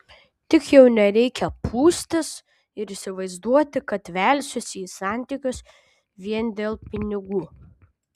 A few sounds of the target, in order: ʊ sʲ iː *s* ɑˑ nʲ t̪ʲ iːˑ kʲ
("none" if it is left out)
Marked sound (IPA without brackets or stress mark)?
s